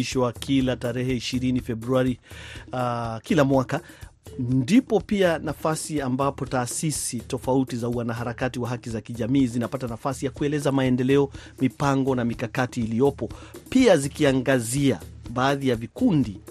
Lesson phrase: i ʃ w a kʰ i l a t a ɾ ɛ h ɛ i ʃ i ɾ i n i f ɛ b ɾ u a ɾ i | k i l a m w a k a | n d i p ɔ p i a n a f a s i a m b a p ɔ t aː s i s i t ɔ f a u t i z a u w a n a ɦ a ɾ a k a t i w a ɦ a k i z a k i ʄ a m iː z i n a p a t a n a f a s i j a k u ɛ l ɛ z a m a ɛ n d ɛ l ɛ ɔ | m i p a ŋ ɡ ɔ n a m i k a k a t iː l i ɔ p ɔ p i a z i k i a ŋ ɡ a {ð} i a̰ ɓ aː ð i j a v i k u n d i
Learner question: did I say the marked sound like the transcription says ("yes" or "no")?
no